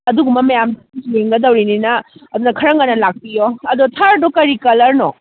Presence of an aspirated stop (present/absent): present